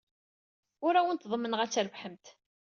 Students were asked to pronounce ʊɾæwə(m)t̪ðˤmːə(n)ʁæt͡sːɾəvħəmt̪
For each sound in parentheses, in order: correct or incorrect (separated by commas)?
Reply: incorrect, correct